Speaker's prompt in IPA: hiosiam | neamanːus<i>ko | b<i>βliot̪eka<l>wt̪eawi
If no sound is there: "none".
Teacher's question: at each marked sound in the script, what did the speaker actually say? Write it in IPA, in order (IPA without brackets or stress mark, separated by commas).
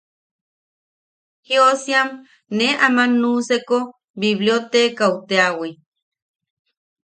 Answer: e, i, none